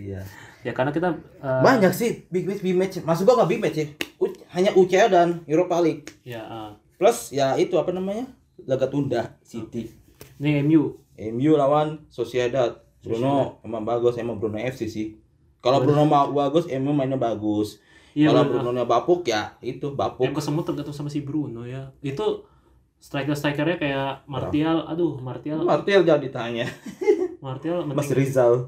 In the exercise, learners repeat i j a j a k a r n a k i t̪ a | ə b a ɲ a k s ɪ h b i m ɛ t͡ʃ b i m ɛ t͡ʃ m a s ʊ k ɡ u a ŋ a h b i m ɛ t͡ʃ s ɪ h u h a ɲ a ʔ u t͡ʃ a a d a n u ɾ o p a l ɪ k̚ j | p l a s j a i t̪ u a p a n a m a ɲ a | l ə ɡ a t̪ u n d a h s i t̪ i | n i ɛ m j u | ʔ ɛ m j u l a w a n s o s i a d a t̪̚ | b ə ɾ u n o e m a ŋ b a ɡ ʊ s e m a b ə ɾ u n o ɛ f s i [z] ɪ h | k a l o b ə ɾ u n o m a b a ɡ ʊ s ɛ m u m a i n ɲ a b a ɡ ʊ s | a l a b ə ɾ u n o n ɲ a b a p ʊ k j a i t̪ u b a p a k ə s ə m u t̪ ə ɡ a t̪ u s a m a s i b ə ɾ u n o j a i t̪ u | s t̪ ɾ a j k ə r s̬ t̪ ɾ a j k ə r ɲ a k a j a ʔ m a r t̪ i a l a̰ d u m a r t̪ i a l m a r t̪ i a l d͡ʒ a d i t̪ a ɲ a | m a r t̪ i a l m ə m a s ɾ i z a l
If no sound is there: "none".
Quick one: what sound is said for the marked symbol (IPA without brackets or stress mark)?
s